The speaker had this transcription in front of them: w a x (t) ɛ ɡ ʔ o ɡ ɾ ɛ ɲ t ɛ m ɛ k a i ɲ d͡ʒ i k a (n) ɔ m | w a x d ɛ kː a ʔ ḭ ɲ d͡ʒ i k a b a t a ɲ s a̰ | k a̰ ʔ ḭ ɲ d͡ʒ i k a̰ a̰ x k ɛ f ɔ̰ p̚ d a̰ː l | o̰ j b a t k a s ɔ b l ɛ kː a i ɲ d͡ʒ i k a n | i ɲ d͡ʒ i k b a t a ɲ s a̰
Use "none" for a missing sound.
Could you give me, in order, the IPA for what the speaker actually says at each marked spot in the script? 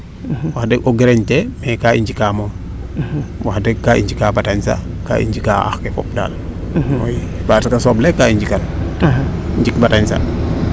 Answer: d, m

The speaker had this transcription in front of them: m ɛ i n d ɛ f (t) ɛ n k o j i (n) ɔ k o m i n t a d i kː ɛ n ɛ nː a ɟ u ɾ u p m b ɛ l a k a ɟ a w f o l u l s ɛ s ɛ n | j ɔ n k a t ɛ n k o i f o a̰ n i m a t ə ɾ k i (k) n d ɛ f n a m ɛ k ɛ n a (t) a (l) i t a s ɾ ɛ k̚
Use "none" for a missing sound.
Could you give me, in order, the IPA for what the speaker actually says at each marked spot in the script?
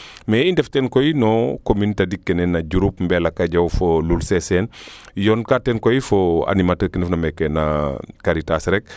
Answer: t, n, none, k, ɾ

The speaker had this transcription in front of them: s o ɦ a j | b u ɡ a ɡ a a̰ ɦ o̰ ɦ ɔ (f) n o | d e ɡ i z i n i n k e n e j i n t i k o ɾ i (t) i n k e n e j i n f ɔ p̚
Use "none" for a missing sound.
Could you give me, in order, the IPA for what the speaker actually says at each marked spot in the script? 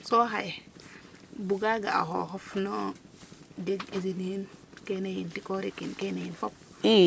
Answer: f, k

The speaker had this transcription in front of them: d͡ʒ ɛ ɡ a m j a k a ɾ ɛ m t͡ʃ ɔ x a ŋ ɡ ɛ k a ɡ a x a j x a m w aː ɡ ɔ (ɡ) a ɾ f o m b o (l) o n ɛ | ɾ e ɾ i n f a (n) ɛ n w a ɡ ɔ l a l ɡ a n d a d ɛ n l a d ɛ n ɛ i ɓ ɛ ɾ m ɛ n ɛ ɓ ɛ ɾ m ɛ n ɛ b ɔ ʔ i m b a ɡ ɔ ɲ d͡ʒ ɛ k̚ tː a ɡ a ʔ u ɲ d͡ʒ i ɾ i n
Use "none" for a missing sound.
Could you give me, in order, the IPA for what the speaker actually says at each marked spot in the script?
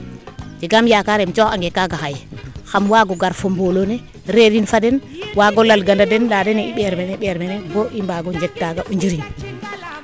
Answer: ɡ, l, d

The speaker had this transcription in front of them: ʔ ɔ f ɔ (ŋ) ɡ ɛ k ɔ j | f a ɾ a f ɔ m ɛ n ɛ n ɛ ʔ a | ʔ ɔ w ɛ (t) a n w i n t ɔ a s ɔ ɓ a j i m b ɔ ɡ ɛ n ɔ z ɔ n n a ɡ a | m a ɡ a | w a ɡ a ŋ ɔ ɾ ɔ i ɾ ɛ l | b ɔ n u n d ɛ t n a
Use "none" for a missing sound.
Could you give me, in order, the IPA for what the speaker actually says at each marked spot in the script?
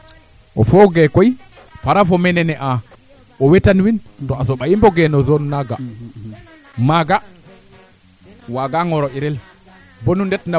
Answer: none, t

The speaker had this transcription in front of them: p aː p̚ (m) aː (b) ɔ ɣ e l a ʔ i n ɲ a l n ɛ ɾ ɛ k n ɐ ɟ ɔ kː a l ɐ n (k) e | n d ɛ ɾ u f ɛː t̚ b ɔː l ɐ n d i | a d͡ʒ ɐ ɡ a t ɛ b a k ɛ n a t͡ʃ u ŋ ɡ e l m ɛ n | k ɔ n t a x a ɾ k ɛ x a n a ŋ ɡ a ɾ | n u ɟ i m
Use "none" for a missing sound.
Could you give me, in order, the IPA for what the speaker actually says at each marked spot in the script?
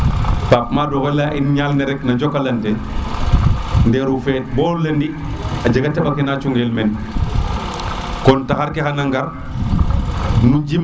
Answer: m, d, t

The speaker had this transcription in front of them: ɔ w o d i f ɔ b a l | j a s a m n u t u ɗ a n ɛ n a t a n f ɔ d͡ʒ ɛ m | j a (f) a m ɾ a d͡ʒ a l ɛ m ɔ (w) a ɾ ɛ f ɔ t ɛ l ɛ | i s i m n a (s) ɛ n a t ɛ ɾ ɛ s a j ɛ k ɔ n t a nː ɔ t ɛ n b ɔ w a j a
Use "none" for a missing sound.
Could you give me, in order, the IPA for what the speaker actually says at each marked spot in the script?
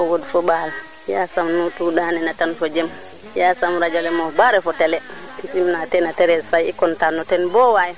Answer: s, b, t

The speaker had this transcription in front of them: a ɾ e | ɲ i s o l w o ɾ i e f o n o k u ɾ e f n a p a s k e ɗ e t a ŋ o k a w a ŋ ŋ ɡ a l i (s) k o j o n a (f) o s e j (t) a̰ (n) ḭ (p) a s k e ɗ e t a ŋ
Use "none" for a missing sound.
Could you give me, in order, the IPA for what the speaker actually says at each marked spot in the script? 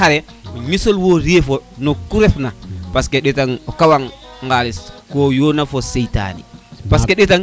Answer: s, f, t, n, p

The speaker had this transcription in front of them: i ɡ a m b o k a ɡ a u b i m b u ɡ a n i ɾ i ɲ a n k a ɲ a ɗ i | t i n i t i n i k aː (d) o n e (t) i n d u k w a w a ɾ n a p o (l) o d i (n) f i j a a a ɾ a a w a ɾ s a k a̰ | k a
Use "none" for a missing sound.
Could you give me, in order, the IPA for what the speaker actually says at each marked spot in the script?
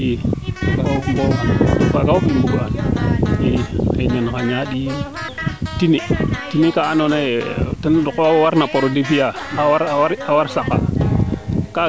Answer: n, t, ɾ, none

